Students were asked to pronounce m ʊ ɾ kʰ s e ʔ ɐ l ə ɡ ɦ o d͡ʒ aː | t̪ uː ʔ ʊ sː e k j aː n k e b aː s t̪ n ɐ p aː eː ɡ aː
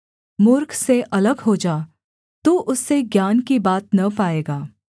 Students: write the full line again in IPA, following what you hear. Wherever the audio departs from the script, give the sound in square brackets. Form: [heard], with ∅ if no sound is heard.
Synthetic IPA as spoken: m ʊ ɾ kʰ s e ʔ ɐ l ə ɡ ɦ o d͡ʒ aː | t̪ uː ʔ ʊ sː e [ɡ] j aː n k [i] b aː [∅] t̪ n ɐ p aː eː ɡ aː